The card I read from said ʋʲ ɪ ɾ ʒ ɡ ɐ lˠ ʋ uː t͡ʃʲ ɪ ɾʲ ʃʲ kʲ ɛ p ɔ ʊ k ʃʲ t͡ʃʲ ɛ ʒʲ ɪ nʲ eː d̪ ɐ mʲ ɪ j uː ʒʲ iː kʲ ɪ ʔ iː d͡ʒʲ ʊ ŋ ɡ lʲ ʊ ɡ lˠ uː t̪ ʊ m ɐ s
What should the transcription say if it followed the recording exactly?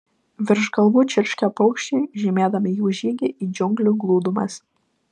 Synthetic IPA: ʋʲ ɪ ɾ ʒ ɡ ɐ lˠ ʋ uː t͡ʃʲ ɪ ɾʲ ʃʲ kʲ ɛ p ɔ ʊ k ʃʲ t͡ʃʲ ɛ ʒʲ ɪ mʲ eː d̪ ɐ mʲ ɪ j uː ʒʲ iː ɡʲ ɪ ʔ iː d͡ʒʲ ʊ ŋ ɡ lʲ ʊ ɡ lˠ uː d̪ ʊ m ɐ s